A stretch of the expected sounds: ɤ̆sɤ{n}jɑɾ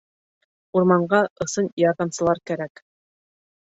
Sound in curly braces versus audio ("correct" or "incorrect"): correct